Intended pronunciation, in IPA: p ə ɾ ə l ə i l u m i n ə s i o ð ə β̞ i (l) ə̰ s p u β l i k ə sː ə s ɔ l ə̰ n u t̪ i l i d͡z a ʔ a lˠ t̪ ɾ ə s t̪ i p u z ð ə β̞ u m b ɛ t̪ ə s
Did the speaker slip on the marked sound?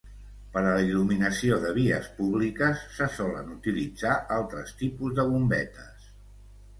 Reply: yes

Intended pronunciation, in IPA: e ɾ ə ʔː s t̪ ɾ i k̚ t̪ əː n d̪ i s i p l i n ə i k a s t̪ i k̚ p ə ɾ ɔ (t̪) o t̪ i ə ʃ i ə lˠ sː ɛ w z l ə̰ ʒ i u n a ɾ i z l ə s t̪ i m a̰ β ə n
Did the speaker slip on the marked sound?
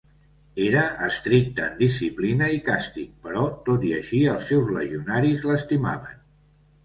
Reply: no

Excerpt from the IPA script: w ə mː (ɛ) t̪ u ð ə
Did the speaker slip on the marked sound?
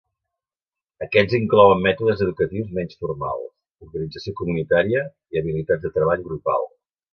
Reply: no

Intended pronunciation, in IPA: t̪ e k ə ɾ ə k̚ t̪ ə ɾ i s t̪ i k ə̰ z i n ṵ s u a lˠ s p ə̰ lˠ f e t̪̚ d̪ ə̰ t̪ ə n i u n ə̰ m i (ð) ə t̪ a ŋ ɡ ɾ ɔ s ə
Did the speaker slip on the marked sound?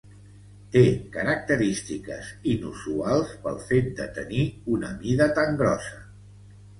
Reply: no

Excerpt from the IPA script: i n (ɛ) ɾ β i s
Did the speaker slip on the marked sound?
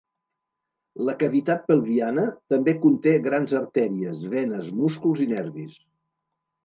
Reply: no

